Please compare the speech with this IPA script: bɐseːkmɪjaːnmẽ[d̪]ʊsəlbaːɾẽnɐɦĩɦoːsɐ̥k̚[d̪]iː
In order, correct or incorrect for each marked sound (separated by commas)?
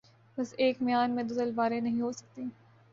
correct, incorrect